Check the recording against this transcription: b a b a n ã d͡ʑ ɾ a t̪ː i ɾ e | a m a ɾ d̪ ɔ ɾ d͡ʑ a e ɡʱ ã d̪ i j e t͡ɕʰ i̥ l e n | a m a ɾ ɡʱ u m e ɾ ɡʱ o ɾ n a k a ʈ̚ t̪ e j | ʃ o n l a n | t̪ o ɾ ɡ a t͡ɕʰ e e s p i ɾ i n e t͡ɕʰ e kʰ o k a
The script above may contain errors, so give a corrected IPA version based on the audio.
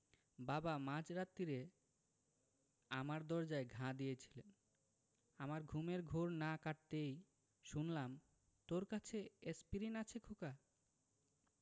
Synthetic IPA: b a b a m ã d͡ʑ ɾ a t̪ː i ɾ e | a m a ɾ d̪ ɔ ɾ d͡ʑ a e ɡʱ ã d̪ i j e t͡ɕʰ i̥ l e n | a m a ɾ ɡʱ u m e ɾ ɡʱ o ɾ n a k a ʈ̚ t̪ e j | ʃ u n l a m | t̪ o ɾ k a t͡ɕʰ e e s p i ɾ i n a t͡ɕʰ e kʰ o k a